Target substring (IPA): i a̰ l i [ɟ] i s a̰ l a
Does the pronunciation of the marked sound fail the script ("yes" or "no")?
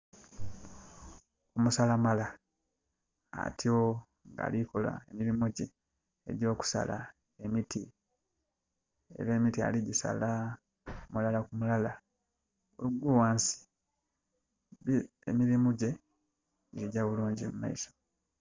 no